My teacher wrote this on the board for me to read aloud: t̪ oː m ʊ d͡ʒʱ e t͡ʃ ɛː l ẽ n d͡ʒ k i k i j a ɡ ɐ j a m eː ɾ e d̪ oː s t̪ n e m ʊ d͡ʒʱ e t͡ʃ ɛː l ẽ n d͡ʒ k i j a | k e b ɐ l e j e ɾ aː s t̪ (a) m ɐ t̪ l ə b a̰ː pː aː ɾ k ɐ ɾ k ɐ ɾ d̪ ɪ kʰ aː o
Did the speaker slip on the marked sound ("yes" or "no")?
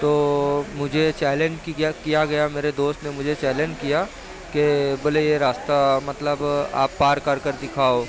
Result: no